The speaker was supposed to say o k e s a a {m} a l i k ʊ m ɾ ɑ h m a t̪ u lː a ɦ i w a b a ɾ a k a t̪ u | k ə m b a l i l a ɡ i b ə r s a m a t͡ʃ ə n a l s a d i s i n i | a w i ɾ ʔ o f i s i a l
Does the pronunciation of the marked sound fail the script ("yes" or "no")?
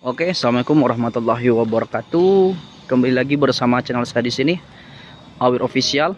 no